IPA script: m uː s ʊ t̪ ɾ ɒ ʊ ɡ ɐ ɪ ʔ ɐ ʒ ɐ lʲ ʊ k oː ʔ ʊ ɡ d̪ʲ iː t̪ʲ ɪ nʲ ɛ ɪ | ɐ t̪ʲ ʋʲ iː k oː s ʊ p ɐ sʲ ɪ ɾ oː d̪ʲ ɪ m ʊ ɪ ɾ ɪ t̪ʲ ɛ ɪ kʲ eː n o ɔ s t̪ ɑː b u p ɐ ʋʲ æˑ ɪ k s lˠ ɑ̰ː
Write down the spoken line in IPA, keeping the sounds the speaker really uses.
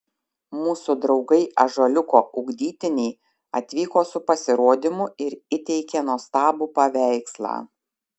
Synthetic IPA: m uː s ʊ d̪ ɾ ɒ ʊ ɡ ɐ ɪ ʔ ɐ ʒ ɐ lʲ ʊ k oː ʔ ʊ ɡ d̪ʲ iː t̪ʲ ɪ nʲ ɛ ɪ | ɐ t̪ʲ ʋʲ iː k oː s ʊ p ɐ sʲ ɪ ɾ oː d̪ʲ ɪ m ʊ ɪ ɾ ɪ t̪ʲ ɛ ɪ kʲ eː n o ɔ s t̪ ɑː b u p ɐ ʋʲ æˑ ɪ k s lˠ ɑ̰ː